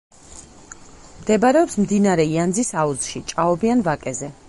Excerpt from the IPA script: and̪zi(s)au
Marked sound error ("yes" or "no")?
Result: no